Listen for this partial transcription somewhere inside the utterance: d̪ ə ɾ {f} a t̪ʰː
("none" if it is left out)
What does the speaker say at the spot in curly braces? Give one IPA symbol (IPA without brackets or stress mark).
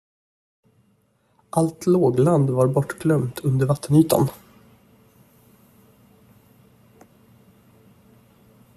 v